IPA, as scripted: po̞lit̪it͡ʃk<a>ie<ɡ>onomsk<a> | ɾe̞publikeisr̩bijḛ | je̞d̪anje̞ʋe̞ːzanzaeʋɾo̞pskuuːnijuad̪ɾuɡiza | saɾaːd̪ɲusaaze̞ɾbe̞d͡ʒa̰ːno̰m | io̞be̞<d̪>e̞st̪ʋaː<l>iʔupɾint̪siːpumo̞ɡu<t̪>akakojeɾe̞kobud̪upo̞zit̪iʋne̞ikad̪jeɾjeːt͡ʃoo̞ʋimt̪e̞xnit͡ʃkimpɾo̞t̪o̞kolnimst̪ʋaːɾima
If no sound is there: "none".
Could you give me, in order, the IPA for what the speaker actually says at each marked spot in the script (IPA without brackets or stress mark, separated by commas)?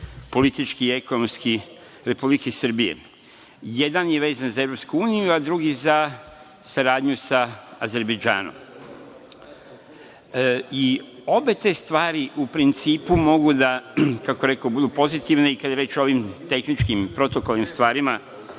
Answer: i, k, i, t̪, ɾ, d̪